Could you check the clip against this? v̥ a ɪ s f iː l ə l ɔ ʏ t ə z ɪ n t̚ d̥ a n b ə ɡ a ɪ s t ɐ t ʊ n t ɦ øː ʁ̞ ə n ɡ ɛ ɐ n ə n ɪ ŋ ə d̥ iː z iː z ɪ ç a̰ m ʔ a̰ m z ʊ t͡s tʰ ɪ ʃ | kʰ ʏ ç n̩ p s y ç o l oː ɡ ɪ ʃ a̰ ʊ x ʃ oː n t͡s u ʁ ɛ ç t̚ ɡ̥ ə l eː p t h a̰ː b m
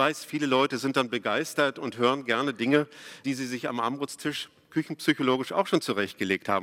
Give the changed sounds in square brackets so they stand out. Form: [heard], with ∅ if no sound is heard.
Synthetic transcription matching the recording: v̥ a ɪ s f iː l ə l ɔ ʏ t ə z ɪ n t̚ d̥ a n b ə ɡ a ɪ s t ɐ t ʊ n t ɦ øː ʁ̞ ə n ɡ ɛ ɐ n ə [d] ɪ ŋ ə d̥ iː z iː z ɪ ç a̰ m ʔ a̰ m [ʁ] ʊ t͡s tʰ ɪ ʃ | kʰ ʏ ç n̩ p s y ç o l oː ɡ ɪ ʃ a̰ ʊ x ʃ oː n t͡s u ʁ ɛ ç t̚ ɡ̥ ə l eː [k] t h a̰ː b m